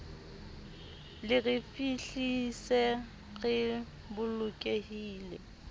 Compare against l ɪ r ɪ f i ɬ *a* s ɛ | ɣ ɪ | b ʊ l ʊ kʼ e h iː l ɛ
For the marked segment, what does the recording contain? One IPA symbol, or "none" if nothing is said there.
i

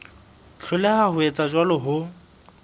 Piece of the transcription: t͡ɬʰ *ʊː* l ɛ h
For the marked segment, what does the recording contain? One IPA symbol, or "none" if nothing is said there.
ʊ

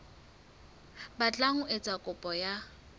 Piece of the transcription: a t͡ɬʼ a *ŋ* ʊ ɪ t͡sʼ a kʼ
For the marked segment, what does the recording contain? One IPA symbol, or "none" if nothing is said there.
ŋ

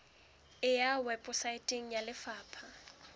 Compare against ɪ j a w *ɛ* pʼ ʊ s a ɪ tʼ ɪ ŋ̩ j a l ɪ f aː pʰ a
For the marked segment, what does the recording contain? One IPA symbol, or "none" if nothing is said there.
ɛ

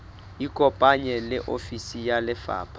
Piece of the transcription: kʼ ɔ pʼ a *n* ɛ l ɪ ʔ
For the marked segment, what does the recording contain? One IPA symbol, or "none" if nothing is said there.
ɲ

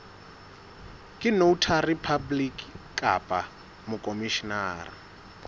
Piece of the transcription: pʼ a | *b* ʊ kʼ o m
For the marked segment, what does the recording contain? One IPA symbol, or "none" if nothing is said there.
m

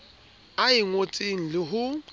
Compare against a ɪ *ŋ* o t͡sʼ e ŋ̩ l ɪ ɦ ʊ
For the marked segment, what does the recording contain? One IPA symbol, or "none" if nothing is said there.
ŋ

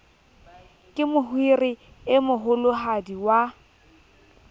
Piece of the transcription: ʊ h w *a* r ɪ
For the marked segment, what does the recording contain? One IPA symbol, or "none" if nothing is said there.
i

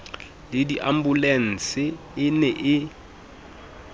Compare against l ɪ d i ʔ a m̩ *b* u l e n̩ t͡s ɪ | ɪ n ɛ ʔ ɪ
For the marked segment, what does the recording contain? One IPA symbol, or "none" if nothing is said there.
b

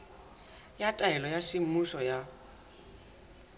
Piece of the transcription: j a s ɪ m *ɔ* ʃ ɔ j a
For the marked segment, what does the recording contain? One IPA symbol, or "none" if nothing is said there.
u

